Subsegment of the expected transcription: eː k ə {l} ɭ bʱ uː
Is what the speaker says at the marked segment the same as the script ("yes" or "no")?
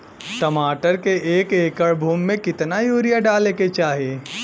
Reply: no